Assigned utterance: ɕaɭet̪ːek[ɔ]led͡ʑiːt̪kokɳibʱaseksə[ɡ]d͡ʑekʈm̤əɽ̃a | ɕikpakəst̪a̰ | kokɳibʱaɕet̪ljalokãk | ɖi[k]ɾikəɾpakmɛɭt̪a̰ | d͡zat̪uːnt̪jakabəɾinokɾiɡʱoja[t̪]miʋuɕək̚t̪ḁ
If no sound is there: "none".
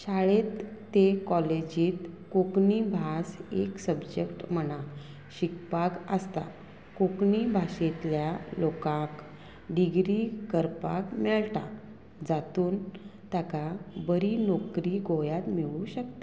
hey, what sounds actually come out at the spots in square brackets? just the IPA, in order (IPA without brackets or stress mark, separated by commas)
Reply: ɔ, b, ɡ, t̪